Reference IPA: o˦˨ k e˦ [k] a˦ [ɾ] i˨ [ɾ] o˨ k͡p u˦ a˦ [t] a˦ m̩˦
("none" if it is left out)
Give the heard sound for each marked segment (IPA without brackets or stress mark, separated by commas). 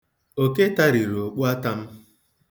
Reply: t, ɾ, ɾ, t